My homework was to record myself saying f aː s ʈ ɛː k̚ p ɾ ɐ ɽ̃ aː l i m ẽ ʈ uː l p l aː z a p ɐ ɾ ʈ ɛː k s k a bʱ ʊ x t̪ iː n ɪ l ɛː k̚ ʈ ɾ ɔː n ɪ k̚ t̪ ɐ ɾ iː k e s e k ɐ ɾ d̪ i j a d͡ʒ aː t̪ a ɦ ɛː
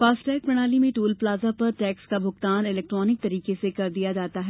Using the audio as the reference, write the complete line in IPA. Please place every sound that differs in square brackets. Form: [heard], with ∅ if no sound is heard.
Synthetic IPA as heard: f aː s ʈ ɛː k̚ p ɾ ɐ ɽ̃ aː l i m ẽ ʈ uː l p l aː z a p ɐ ɾ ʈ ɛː k s k a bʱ ʊ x t̪ [aː] n ɪ l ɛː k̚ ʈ ɾ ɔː n ɪ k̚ t̪ ɐ ɾ iː k e s e k ɐ ɾ d̪ i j a d͡ʒ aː t̪ a ɦ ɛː